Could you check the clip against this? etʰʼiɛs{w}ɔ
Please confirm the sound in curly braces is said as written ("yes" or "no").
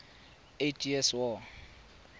yes